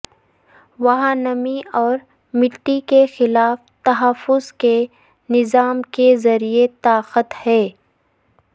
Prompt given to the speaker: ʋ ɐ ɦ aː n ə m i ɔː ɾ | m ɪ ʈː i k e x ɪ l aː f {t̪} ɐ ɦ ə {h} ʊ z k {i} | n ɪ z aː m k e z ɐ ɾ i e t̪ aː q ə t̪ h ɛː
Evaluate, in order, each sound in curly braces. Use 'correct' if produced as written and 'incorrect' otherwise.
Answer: correct, incorrect: f, incorrect: e

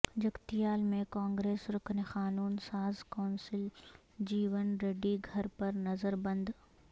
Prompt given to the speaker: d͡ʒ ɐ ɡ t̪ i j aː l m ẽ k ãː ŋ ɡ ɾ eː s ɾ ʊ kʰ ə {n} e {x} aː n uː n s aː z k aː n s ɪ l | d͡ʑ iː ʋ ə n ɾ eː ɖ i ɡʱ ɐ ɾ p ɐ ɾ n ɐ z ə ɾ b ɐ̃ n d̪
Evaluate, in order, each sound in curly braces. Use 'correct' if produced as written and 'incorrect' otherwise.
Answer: correct, correct

